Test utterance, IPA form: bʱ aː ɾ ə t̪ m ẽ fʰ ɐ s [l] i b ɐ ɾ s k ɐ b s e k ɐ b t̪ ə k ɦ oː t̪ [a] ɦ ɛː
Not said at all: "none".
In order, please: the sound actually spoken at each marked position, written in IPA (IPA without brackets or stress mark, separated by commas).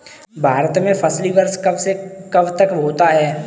l, a